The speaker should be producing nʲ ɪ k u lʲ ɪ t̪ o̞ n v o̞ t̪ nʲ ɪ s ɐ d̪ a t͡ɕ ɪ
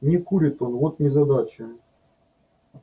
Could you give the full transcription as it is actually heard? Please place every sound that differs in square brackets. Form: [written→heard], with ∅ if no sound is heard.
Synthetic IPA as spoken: nʲ ɪ k u [lʲ→ɾʲ] ɪ t̪ o̞ n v o̞ t̪ nʲ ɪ [s→z] ɐ d̪ a t͡ɕ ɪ